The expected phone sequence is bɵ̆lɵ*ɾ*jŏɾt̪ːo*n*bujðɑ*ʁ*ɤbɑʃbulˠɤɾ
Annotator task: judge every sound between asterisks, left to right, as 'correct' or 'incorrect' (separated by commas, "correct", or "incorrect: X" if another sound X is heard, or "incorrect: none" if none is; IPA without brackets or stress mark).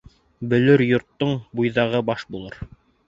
correct, incorrect: ɴ, correct